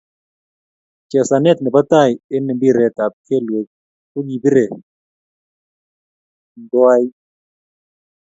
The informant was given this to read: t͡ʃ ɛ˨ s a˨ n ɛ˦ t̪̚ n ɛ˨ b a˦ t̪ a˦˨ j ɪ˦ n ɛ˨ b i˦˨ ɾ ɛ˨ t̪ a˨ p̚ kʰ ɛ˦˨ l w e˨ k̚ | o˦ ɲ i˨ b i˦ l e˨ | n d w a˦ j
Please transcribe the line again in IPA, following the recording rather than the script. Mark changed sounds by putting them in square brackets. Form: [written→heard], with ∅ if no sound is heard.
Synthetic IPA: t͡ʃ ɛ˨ s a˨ n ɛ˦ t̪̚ n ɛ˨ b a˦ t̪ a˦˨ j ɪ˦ n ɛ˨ b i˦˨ ɾ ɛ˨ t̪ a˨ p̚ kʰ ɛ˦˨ l w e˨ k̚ | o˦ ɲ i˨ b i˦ [l→ɾ] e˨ | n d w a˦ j